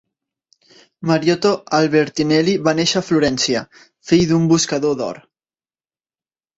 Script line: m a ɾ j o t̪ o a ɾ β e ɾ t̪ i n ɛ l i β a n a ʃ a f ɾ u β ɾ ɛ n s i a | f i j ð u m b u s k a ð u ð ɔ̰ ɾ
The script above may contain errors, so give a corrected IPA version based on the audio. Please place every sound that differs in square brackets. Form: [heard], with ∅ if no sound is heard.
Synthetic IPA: m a ɾ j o t̪ o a [l] β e ɾ t̪ i n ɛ l i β a n [e] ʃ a f [l] u [∅] ɾ ɛ n s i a | f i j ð u m b u s k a ð [o] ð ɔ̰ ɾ